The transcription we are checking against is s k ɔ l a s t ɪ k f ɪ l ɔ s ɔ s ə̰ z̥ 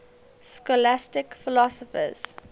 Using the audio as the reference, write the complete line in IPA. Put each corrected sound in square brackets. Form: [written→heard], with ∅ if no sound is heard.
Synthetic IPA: s k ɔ l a s t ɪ k f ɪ l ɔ s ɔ [s→f] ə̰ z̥